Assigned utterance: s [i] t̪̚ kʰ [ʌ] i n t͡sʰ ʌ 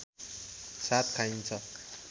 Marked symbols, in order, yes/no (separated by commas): no, no